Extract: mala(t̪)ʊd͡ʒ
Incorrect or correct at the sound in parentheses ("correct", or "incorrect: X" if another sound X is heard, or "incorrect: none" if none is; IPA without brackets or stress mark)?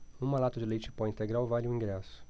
correct